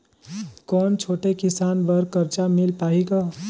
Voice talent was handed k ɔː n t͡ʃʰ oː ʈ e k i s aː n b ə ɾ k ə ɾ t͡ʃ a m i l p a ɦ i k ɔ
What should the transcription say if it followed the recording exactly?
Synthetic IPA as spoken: k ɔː n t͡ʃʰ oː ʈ e k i s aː n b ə ɾ k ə ɾ t͡ʃ a m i l p a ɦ i k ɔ